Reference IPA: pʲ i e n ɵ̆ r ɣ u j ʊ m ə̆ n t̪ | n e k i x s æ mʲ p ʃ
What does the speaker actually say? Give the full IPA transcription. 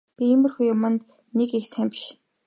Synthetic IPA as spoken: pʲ i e m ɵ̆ r x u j ʊ m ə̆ n t̪ | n e k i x s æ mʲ p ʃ